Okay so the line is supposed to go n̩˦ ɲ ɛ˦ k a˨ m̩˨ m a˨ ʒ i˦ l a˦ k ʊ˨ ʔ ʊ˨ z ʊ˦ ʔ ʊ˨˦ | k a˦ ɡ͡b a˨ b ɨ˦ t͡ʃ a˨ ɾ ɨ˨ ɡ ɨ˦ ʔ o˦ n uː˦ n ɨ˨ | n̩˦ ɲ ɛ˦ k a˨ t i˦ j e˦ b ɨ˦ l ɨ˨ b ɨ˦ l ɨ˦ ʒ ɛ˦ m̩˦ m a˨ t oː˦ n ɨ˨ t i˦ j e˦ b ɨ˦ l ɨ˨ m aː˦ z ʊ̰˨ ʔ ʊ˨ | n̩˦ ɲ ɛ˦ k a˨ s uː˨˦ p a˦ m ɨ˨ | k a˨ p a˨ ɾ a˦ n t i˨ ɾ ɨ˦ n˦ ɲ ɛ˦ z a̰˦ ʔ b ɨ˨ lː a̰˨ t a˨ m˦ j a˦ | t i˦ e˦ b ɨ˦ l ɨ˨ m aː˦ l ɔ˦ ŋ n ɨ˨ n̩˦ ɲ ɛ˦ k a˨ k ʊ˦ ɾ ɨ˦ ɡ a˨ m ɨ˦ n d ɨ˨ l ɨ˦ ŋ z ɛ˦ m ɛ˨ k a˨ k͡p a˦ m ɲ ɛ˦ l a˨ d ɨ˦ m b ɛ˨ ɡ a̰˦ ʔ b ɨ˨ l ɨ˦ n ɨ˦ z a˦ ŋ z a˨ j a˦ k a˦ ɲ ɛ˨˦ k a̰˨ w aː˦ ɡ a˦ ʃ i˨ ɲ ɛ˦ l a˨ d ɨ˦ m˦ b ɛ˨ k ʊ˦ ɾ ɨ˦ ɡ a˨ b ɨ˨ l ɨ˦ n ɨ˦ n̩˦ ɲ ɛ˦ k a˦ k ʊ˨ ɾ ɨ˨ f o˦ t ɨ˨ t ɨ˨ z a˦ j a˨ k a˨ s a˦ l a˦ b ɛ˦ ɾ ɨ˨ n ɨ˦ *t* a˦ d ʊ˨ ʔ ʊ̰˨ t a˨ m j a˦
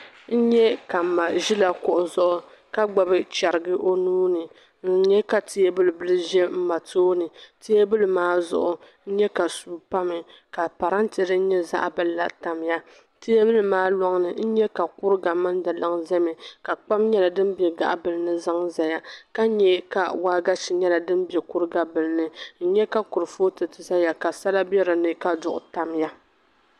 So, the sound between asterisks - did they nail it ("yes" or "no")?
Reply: no